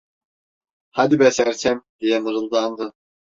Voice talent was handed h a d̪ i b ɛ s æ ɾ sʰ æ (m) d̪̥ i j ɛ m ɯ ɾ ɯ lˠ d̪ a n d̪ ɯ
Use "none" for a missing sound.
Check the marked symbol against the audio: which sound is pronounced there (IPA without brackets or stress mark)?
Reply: m